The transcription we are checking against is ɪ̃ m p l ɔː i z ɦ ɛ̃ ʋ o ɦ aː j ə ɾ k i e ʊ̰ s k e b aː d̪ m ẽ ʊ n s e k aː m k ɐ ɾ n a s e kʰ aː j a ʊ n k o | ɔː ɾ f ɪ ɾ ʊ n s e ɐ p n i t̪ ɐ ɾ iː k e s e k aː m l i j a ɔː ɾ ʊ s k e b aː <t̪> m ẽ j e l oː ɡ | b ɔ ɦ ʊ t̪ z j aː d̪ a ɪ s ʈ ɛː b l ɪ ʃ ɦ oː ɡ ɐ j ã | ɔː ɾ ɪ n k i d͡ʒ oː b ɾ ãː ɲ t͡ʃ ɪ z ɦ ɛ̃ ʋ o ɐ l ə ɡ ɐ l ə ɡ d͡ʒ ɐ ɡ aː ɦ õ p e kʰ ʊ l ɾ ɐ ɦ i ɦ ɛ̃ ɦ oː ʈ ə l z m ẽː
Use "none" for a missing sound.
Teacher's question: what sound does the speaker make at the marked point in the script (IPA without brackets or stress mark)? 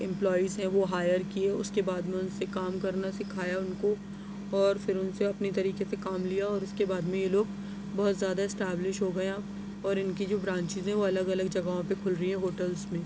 d̪